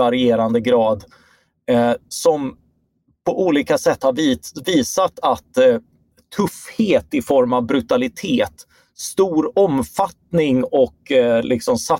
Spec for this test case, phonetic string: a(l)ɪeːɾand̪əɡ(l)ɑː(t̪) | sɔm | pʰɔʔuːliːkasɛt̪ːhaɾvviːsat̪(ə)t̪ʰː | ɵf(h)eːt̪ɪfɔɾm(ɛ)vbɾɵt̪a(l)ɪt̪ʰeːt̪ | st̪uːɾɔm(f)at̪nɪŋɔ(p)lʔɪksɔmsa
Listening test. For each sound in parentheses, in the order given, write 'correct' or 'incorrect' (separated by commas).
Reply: incorrect, incorrect, incorrect, incorrect, correct, incorrect, correct, correct, incorrect